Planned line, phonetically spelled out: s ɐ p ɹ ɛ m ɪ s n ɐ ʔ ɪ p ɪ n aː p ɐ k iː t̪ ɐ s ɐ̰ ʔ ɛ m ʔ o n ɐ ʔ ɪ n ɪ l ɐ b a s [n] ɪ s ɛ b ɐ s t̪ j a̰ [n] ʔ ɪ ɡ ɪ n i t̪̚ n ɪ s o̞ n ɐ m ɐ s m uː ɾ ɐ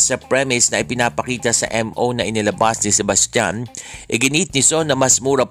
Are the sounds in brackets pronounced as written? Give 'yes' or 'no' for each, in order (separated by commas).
yes, yes